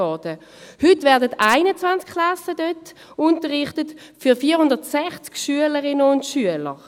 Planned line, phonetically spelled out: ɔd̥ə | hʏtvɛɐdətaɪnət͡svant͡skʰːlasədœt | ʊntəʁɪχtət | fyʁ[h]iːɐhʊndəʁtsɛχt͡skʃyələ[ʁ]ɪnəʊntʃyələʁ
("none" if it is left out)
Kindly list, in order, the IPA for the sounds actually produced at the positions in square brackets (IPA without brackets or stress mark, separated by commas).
f, ʁ